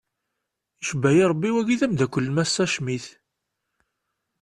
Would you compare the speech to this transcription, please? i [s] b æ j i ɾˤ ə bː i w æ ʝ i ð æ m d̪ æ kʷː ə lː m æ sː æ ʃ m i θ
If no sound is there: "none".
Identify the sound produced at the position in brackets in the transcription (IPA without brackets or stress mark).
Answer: ʃ